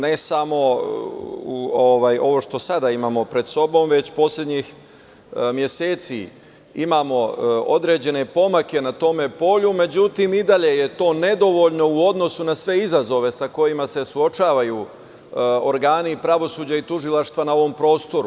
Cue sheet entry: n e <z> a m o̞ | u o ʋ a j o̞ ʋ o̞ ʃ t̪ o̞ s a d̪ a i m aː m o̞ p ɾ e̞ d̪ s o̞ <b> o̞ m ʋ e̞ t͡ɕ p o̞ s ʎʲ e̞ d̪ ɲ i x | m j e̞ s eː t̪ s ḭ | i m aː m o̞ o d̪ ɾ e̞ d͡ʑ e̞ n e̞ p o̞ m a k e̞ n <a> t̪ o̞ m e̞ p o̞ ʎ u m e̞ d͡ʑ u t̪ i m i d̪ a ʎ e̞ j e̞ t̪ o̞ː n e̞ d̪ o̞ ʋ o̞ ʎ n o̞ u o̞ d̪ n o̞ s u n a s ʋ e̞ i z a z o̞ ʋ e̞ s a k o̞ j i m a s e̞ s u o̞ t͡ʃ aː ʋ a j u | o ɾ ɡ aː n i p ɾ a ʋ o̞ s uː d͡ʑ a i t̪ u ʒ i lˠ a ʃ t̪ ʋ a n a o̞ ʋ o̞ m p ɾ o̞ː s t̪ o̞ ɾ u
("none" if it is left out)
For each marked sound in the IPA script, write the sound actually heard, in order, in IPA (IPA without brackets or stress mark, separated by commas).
s, b, a